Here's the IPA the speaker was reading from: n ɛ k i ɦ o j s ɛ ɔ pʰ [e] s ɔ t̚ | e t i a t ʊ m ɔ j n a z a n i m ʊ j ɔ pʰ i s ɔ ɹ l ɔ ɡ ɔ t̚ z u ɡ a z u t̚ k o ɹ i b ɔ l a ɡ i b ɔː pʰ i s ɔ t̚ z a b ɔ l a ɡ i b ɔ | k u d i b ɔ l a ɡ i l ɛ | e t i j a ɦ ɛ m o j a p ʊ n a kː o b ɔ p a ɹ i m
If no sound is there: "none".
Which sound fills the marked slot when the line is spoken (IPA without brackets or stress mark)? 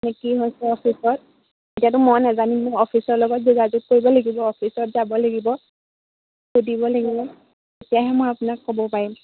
i